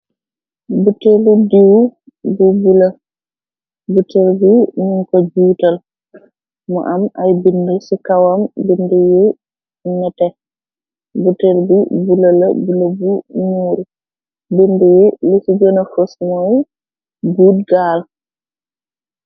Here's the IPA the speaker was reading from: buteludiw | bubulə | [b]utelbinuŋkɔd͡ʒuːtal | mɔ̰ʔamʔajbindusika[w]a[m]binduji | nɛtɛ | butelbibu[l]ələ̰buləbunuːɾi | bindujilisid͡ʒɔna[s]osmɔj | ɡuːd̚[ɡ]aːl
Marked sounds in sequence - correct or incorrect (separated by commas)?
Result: correct, correct, correct, correct, incorrect, correct